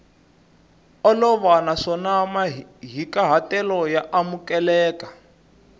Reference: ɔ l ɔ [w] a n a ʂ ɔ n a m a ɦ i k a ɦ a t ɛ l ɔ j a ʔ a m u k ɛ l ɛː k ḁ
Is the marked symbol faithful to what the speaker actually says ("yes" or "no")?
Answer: no